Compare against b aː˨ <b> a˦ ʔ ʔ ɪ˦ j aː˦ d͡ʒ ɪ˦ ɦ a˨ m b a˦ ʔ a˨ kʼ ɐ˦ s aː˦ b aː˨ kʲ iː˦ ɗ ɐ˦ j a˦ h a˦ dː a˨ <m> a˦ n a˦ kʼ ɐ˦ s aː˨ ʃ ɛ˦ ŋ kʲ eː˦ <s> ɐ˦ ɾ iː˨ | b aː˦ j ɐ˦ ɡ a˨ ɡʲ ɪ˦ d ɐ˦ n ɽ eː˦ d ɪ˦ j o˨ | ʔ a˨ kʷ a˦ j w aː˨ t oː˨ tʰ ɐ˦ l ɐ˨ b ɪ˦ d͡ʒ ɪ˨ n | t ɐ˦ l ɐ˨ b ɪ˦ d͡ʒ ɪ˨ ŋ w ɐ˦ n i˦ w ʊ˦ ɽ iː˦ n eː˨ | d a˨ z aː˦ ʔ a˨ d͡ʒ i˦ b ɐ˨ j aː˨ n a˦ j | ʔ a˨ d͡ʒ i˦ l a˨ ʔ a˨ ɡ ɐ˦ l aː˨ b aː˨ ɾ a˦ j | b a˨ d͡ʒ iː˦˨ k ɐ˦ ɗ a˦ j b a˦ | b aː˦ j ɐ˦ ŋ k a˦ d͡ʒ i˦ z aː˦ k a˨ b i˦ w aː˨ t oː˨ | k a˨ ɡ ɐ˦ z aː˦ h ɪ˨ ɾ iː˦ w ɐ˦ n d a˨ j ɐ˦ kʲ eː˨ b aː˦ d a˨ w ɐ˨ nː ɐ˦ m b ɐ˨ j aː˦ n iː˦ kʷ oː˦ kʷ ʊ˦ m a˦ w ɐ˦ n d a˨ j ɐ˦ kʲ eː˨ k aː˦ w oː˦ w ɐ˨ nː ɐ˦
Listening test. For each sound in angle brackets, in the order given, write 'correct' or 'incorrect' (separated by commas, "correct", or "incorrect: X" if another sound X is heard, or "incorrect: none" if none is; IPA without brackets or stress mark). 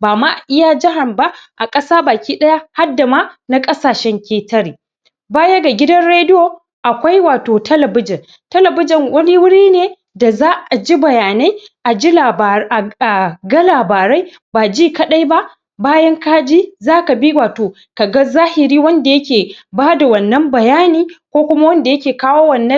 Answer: incorrect: m, correct, incorrect: t